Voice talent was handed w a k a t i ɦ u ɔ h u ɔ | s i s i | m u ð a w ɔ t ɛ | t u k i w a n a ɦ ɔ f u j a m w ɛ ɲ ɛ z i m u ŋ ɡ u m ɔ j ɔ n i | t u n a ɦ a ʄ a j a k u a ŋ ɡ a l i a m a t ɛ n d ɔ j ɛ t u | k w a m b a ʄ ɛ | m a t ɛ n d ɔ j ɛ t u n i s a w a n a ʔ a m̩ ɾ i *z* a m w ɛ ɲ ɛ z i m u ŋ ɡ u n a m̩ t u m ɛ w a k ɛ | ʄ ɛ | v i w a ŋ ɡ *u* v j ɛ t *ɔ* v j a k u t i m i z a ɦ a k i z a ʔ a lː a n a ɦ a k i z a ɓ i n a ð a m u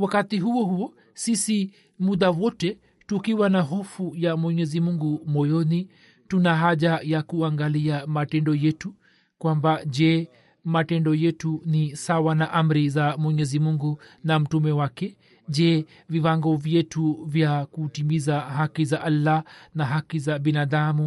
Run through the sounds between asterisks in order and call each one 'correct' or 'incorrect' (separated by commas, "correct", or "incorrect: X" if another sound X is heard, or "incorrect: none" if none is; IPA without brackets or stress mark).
correct, incorrect: ɔ, incorrect: u